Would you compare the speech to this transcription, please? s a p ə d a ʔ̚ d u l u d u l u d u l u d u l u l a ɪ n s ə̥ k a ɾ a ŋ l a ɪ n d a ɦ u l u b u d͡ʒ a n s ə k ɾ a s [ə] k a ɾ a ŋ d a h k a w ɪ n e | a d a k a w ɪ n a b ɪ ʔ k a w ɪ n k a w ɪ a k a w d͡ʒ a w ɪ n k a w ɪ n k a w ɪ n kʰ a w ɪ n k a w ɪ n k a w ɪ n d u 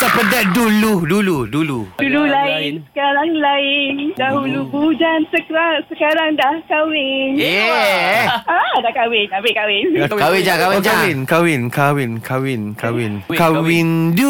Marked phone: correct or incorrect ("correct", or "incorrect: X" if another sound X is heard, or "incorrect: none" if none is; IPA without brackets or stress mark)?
correct